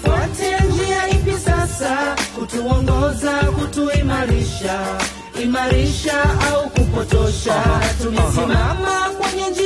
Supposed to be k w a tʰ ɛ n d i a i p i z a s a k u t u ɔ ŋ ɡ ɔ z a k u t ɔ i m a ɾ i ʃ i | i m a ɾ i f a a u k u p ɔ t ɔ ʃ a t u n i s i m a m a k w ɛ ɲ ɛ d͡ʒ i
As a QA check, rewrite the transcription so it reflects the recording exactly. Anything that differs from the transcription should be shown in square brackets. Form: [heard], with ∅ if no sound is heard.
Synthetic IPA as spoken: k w a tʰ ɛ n [d͡ʒ] i a i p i [s] a s a k u t u ɔ ŋ ɡ ɔ z a k u t [u] i m a ɾ i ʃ [a] | i m a ɾ i [ʃ] a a u k u p ɔ t ɔ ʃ a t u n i s i m a m a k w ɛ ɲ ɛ d͡ʒ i